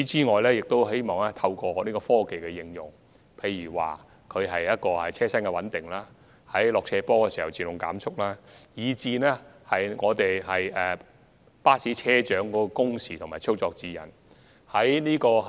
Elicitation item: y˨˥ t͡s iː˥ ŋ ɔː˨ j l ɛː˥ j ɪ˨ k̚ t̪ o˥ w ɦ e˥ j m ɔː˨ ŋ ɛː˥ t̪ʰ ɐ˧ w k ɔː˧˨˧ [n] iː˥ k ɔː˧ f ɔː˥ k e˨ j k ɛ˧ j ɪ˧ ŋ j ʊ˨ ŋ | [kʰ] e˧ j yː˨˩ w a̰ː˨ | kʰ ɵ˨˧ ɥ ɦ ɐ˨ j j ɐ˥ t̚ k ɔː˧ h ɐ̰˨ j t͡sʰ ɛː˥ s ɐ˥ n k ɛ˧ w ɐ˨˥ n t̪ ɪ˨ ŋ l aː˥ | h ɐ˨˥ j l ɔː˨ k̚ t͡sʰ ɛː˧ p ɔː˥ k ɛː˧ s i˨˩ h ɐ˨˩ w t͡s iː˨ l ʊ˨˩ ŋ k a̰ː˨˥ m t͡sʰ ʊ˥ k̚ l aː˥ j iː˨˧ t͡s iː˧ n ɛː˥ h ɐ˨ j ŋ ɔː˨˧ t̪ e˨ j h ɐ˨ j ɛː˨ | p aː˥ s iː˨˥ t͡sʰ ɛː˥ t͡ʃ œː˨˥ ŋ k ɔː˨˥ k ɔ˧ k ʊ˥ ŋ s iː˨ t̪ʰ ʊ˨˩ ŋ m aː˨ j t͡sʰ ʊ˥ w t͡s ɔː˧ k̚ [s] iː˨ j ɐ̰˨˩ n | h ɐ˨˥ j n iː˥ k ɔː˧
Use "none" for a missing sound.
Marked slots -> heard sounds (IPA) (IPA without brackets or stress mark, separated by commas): n, pʰ, t͡s